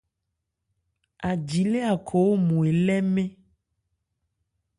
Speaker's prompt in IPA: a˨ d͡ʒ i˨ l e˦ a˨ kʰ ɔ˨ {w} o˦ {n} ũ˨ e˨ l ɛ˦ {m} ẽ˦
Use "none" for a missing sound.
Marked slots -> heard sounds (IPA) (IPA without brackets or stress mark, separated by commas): w, m, m